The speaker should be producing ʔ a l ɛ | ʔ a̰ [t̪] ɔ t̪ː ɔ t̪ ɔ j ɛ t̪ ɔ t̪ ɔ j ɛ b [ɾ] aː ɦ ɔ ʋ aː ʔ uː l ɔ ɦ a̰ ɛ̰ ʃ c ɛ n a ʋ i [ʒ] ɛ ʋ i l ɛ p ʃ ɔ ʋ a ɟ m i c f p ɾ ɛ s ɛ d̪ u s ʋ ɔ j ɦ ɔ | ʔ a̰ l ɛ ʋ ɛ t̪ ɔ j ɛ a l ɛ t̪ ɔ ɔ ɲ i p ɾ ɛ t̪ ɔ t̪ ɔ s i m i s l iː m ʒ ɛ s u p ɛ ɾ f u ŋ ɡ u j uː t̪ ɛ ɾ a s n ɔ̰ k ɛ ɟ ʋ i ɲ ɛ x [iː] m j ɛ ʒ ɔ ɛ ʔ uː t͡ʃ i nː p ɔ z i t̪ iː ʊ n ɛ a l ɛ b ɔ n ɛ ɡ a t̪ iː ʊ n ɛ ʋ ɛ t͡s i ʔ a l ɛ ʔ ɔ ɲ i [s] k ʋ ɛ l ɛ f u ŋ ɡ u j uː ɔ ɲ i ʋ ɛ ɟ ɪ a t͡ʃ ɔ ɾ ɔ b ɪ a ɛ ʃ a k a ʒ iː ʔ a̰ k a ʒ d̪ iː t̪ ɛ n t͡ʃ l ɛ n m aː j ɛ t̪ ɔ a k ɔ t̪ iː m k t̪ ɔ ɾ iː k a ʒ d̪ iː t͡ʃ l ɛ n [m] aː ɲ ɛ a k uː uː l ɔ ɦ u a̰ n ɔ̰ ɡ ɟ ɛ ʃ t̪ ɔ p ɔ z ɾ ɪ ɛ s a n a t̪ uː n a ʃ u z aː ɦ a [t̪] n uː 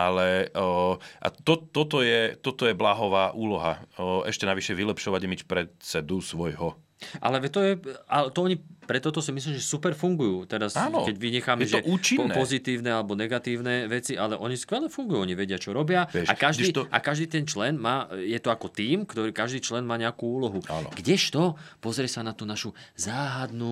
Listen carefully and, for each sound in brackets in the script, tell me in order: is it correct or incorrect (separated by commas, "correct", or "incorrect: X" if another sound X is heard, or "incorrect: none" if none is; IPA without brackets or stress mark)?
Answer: correct, incorrect: l, incorrect: ʃ, incorrect: aː, correct, correct, incorrect: d̪